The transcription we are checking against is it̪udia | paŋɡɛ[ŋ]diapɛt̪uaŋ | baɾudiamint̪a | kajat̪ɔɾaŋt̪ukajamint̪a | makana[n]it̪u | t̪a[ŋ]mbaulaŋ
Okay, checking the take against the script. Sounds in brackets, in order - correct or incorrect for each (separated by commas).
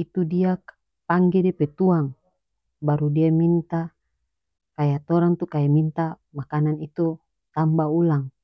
incorrect, correct, incorrect